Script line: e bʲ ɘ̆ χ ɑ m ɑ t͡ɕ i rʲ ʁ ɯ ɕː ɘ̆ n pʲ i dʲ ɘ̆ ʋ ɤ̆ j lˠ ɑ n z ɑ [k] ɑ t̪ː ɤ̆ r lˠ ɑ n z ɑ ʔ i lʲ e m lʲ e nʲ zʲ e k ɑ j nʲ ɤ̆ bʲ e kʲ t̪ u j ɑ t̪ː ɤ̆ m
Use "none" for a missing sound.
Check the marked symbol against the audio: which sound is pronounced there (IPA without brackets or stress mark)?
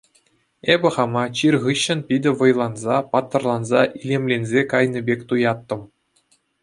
p